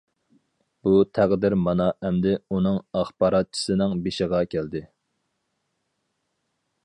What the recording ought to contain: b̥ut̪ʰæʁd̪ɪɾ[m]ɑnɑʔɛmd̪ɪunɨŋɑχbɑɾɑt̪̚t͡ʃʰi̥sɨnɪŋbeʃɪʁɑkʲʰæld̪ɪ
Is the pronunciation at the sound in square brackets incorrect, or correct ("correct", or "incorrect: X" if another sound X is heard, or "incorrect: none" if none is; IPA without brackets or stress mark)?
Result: correct